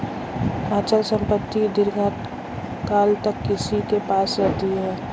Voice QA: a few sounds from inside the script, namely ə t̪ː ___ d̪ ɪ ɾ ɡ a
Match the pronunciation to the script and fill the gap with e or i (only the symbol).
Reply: i